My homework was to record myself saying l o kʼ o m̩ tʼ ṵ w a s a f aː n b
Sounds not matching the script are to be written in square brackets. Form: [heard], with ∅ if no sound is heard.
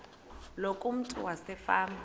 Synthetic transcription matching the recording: l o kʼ [u] m̩ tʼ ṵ w a s [ɛ] f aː [m] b